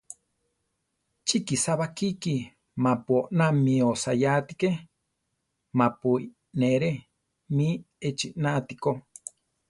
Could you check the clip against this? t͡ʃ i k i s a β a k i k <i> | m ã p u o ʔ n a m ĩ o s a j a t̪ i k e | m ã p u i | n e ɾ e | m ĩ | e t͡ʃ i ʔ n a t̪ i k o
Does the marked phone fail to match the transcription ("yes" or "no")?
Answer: no